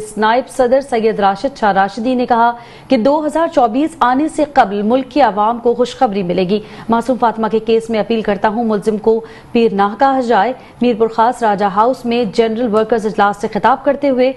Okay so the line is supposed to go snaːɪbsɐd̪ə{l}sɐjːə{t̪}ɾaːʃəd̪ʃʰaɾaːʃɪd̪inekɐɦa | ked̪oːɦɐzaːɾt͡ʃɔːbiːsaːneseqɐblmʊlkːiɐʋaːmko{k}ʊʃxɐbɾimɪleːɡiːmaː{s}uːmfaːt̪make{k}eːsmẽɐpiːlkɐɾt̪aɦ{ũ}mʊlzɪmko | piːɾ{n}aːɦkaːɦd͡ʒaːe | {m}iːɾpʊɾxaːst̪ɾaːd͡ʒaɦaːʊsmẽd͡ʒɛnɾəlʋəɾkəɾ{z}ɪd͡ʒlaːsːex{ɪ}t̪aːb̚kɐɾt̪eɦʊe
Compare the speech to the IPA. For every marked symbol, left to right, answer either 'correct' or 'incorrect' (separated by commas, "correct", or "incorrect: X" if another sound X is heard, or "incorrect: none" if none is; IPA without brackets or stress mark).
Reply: incorrect: ɾ, incorrect: d̪, incorrect: x, correct, correct, correct, correct, correct, correct, correct